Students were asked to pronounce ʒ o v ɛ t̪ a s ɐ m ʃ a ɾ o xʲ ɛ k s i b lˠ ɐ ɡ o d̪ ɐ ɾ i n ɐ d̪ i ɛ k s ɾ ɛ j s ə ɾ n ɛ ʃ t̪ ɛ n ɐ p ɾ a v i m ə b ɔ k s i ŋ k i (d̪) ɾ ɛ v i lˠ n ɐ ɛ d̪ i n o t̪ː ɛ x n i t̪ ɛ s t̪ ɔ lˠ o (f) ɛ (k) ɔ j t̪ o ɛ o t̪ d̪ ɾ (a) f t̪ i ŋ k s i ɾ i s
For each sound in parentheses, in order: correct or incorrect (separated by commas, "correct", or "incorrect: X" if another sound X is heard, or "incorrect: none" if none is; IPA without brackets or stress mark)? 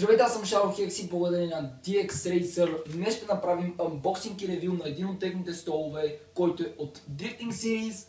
incorrect: none, incorrect: v, correct, incorrect: i